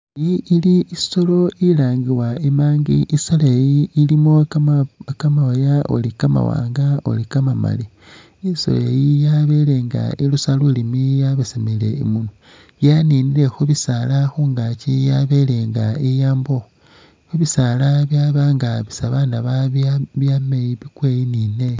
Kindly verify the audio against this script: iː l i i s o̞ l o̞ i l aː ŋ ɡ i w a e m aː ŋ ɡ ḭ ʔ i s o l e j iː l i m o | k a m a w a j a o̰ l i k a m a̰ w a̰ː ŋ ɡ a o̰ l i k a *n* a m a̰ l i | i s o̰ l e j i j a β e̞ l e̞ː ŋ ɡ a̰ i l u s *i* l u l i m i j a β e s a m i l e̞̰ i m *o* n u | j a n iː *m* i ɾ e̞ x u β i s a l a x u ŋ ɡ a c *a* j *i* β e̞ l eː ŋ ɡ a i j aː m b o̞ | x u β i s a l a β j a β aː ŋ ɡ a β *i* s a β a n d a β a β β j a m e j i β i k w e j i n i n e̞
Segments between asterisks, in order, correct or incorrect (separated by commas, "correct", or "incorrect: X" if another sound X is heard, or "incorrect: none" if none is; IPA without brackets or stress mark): incorrect: m, incorrect: a, incorrect: u, incorrect: n, incorrect: i, incorrect: a, correct